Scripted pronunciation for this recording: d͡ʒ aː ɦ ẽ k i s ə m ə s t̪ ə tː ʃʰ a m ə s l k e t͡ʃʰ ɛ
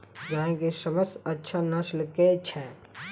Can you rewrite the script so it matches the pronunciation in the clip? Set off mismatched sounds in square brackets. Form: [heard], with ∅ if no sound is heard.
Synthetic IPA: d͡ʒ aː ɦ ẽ k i s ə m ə s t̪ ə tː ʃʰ a [n] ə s l k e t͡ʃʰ ɛ